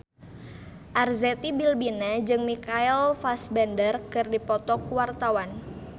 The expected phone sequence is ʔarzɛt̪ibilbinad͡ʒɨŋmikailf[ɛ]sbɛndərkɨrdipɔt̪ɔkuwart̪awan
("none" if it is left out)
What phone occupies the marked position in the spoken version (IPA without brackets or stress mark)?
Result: a